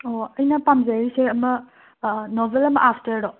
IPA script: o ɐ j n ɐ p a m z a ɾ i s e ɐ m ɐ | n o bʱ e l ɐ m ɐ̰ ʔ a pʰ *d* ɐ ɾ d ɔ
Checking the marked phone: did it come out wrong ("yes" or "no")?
yes